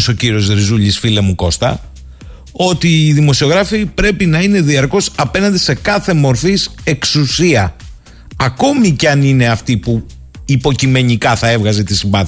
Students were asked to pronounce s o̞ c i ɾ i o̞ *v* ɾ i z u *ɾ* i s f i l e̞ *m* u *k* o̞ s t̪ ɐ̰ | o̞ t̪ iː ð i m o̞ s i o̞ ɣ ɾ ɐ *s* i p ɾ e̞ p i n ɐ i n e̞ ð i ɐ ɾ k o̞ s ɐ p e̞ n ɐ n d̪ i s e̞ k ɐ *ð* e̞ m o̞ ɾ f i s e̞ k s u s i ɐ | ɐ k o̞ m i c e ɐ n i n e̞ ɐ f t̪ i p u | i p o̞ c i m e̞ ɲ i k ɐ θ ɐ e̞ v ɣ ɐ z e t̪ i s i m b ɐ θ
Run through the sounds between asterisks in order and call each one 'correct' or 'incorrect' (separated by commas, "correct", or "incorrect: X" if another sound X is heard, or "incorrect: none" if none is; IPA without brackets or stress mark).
incorrect: z, incorrect: ʎ, correct, correct, incorrect: f, incorrect: θ